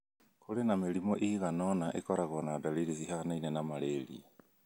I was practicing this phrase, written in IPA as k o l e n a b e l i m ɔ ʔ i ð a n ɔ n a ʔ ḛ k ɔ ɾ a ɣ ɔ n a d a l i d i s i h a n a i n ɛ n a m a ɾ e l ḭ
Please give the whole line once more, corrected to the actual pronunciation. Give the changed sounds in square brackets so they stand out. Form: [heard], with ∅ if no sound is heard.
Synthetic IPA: k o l e n a [m] e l i m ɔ ʔ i [ɣ] a n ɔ n a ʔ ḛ k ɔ ɾ a ɣ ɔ n a d a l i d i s i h a n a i n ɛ n a m a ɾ e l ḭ

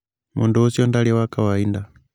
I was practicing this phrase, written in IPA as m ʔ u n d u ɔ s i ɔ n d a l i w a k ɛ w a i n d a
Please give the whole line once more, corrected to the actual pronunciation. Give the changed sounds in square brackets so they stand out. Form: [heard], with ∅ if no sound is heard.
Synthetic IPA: m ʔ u n d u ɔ s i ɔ n d a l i w a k [a] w a i n d a

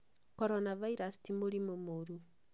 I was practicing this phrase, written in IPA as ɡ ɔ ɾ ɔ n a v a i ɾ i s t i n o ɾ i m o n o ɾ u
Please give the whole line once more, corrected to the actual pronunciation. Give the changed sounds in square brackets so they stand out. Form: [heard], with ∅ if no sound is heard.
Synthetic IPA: [k] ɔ ɾ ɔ n a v a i ɾ [a] s t i [m] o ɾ i m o [m] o ɾ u

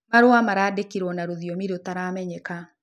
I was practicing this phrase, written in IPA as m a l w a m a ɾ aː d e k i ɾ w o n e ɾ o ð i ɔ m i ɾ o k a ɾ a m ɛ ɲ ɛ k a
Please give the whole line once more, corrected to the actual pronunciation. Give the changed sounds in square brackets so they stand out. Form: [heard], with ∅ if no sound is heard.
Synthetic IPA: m a [ɾ] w a m a ɾ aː d e k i ɾ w [ɔ] n [a] ɾ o ð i ɔ m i ɾ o [t] a ɾ a m ɛ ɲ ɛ k a

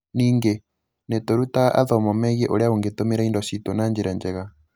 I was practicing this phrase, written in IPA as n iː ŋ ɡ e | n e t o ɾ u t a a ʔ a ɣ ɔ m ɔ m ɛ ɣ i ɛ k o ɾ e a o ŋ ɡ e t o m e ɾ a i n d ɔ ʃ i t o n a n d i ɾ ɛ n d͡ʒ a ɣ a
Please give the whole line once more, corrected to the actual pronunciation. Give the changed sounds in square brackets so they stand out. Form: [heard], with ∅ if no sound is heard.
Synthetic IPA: n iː ŋ ɡ e | n e t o ɾ u t a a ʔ a [ð] ɔ m ɔ m ɛ ɣ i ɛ [ʔ] o ɾ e a o ŋ ɡ e t o m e ɾ a i n d ɔ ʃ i t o n a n [d͡ʒ] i ɾ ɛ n d͡ʒ [ɛ] ɣ a

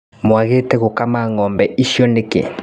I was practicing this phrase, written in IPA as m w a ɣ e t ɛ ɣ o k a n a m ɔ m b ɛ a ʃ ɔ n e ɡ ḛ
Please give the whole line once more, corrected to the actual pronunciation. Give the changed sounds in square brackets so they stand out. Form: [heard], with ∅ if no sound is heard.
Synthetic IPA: m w a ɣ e t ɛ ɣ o k a [m] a [ŋ] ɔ m b ɛ [i] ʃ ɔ n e [k] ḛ

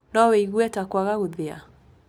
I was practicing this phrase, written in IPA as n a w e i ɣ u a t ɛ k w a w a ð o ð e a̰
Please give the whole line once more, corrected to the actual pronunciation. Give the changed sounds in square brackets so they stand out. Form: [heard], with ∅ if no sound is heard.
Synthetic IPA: n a w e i ɣ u [ɛ] t [a] k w a [ɣ] a [ɣ] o ð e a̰

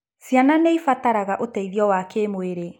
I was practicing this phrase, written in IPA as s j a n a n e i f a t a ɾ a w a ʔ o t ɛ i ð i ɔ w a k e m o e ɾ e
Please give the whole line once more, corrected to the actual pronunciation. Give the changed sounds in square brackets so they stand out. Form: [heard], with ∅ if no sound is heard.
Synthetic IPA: s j a n a n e i f a t a ɾ a [ɣ] a ʔ o t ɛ i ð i ɔ w a k e m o e ɾ e

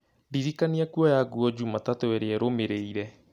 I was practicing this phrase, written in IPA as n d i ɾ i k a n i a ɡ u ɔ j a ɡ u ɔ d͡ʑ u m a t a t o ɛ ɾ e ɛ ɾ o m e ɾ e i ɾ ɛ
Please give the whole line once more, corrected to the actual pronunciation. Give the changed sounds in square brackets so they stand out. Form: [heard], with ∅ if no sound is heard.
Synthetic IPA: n d i ɾ i k a n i a [k] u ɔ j a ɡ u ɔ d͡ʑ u m a t a t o ɛ ɾ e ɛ ɾ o m e ɾ e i ɾ ɛ

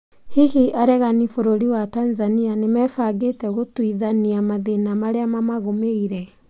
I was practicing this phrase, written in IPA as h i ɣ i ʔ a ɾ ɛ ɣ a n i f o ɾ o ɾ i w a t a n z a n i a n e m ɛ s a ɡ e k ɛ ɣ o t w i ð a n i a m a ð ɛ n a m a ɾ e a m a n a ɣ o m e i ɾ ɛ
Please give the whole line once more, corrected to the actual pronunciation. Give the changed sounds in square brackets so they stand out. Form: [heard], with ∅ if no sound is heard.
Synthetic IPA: h i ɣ i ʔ a ɾ ɛ ɣ a n i f o ɾ o ɾ i w a t a n z a n i a n e m ɛ [f] a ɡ e [t] ɛ ɣ o t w i ð a n i a m a ð [e] n a m a ɾ e a m a [m] a ɣ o m e i ɾ ɛ

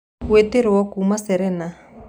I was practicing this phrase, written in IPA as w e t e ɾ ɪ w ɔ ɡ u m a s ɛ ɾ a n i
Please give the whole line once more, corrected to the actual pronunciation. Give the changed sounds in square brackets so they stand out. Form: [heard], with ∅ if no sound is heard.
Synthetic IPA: w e t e ɾ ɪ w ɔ [k] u m a s ɛ ɾ [ɛ] n [a]

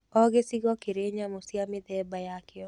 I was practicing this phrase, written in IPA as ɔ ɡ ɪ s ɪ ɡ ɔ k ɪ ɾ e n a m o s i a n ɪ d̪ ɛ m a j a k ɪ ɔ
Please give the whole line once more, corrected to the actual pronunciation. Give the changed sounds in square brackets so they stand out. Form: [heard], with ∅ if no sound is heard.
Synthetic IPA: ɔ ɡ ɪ s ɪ ɡ ɔ k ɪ ɾ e [ɲ] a m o s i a [m] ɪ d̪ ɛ [b] a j a k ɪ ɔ

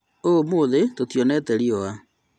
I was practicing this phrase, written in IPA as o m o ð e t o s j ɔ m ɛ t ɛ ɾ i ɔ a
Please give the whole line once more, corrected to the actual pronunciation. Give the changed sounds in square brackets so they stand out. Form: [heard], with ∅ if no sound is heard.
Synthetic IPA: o m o ð e t o [t] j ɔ [n] ɛ t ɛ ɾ i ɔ a

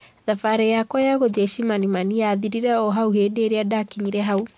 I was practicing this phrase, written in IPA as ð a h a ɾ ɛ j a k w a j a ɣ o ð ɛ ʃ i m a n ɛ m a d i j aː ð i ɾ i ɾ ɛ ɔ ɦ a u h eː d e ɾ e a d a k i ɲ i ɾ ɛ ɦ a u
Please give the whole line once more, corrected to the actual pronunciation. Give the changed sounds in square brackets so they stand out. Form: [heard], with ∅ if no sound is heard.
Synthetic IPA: ð a [f] a ɾ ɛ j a k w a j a ɣ o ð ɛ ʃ i m a n [i] m a [n] i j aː ð i ɾ i ɾ ɛ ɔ ɦ a u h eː d e ɾ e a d a k i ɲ i ɾ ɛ ɦ a u

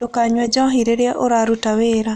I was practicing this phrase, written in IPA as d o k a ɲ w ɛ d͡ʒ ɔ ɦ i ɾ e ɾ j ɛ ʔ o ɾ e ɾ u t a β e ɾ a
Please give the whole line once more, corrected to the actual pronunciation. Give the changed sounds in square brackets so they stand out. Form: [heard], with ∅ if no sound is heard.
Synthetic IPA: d o k a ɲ w ɛ d͡ʒ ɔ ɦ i ɾ e ɾ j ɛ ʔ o ɾ [a] ɾ u t a [w] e ɾ a

